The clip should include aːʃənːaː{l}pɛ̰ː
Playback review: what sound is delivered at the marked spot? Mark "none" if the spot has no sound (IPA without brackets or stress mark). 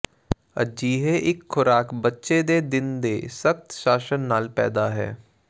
l